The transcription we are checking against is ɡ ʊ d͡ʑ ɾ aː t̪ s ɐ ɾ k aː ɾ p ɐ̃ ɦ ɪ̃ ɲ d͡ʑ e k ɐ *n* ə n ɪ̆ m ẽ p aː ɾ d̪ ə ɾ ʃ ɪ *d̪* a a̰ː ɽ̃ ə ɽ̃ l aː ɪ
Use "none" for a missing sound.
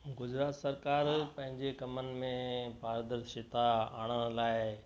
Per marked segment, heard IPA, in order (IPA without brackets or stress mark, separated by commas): m, t̪